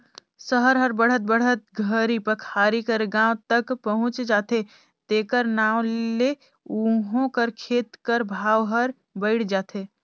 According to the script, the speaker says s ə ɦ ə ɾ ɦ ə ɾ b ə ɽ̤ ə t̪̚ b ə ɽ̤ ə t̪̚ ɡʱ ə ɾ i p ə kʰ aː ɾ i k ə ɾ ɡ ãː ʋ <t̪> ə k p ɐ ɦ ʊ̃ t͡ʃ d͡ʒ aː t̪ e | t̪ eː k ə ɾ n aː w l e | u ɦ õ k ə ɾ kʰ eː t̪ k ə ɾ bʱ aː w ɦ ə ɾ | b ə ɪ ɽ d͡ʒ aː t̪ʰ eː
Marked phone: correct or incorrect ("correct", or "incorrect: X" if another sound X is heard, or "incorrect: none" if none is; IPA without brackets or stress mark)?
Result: correct